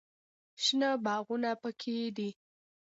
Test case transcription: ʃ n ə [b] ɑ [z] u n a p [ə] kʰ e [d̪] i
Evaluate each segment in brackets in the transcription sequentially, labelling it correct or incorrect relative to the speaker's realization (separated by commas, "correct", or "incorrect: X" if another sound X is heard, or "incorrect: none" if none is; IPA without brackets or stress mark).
correct, incorrect: ɣ, correct, correct